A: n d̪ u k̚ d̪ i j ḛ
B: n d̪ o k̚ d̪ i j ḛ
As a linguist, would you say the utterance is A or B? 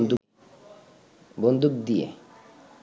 A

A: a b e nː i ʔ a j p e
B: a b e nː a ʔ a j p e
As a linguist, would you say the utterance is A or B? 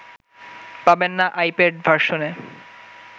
B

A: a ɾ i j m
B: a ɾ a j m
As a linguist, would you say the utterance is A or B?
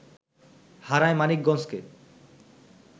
B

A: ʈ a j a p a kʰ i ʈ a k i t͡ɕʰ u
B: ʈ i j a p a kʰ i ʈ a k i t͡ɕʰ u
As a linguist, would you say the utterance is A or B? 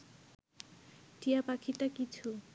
B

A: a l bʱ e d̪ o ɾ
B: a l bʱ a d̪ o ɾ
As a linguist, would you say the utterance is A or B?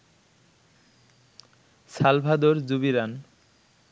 B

